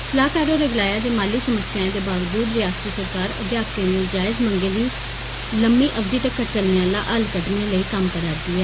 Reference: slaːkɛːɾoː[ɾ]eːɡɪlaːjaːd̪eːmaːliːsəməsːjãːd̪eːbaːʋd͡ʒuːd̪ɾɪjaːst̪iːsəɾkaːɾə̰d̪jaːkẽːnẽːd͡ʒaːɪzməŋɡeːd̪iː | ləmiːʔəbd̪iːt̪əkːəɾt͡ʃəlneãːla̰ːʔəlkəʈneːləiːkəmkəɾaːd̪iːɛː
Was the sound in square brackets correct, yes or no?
yes